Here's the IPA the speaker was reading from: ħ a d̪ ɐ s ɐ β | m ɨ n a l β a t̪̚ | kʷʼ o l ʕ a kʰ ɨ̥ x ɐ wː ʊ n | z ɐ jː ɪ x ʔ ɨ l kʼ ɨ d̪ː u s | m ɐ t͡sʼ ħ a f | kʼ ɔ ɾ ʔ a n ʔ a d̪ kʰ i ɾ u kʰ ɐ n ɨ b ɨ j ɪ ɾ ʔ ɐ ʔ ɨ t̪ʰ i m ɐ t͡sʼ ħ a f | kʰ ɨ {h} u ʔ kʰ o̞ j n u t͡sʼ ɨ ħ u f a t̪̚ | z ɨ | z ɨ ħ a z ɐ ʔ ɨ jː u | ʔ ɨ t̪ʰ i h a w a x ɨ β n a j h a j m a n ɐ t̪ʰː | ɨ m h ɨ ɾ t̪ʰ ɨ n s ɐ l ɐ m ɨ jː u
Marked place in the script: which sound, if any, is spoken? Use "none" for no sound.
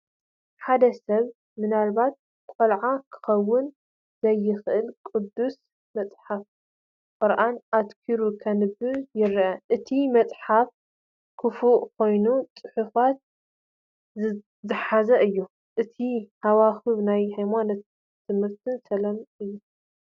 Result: f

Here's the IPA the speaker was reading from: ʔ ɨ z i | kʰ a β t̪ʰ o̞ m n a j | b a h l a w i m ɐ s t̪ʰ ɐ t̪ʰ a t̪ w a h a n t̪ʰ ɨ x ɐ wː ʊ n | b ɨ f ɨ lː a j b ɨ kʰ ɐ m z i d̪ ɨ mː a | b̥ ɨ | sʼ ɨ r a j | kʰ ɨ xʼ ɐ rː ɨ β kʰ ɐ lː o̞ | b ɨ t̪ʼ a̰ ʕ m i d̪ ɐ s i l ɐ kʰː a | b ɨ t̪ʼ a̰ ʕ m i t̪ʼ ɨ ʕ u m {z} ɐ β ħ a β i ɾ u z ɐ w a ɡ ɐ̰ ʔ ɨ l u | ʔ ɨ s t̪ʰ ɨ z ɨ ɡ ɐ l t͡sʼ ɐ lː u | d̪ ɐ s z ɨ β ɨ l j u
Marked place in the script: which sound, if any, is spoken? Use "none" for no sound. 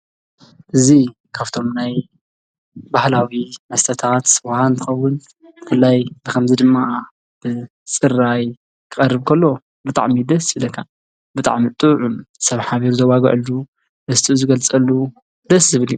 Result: s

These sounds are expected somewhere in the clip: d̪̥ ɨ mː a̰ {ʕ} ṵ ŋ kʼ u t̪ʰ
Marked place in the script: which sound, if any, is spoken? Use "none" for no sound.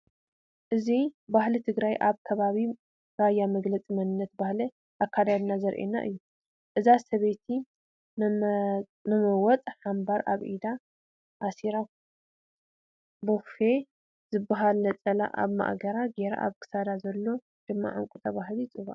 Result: ʕ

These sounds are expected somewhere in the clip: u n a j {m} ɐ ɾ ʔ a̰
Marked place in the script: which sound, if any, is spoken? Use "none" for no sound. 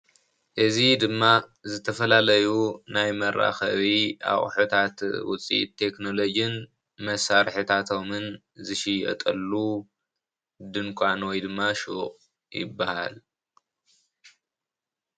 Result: m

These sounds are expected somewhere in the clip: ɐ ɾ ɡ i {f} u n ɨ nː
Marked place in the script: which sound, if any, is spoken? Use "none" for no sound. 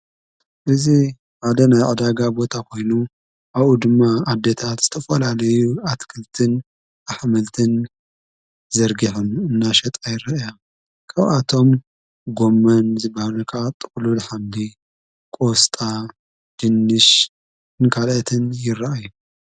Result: ħ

